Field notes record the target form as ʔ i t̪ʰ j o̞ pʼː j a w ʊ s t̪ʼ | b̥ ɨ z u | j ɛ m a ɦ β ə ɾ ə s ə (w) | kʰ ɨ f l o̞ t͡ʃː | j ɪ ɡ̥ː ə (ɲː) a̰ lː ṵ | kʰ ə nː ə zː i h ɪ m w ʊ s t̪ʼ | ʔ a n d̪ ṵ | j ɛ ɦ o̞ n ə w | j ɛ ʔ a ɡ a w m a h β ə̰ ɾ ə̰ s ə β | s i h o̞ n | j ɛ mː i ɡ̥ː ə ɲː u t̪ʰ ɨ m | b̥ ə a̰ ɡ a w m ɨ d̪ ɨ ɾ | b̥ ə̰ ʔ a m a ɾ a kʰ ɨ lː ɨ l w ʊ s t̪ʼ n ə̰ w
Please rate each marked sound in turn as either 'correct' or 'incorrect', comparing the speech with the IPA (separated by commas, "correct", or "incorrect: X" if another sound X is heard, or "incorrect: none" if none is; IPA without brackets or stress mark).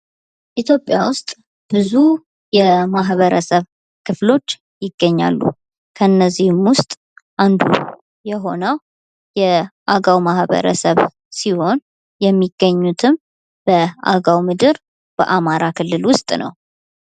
incorrect: β, correct